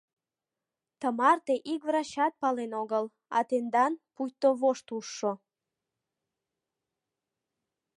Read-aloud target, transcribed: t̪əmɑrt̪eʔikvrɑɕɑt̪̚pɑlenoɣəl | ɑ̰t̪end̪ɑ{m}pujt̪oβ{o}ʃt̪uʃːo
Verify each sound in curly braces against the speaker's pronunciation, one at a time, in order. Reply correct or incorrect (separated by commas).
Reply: incorrect, correct